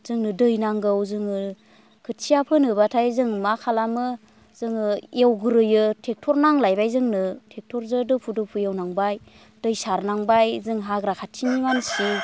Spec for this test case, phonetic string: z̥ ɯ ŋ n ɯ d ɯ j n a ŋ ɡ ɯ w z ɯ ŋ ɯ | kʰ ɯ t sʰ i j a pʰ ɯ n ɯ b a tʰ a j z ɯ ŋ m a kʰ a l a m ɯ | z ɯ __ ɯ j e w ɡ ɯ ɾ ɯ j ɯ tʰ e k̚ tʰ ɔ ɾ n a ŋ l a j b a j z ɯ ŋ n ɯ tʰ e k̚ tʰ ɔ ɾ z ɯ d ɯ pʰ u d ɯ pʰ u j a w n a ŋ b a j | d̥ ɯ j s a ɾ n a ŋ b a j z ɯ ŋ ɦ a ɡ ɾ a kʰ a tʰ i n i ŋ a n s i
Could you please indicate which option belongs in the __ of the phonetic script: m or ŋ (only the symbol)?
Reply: ŋ